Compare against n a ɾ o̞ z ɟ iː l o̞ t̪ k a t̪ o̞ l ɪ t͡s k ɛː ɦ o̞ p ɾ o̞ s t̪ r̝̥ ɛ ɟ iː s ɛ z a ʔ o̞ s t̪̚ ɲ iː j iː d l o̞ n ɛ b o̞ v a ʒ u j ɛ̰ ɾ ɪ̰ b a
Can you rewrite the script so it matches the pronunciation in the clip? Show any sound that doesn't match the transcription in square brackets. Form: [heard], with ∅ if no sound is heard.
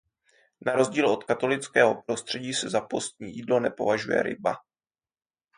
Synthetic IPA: n a ɾ o̞ z ɟ iː l o̞ t̪ k a t̪ o̞ l ɪ t͡s k ɛː ɦ o̞ p ɾ o̞ s t̪ r̝̥ ɛ ɟ iː s ɛ z a [p] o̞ s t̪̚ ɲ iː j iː d l o̞ n ɛ [p] o̞ v a ʒ u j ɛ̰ ɾ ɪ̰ b a